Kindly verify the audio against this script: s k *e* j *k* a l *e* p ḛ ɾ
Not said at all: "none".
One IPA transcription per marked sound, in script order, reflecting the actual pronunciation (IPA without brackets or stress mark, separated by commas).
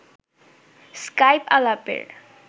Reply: a, p, a